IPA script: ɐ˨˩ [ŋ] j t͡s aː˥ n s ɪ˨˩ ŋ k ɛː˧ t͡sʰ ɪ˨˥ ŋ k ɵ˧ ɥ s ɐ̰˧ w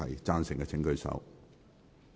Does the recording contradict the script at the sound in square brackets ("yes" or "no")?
yes